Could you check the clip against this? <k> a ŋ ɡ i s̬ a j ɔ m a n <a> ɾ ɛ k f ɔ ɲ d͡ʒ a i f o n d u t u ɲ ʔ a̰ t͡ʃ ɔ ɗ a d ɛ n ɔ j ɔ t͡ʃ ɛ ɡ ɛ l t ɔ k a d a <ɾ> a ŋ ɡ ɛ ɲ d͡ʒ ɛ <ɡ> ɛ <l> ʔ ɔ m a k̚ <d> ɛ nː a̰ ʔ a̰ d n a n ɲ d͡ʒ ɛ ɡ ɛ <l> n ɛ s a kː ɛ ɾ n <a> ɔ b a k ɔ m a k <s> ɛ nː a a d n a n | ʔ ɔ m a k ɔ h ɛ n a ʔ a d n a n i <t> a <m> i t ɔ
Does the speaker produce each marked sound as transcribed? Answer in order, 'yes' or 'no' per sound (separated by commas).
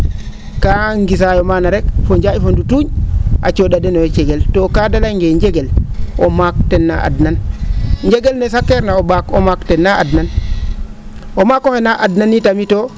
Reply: yes, yes, no, yes, yes, no, yes, yes, no, yes, yes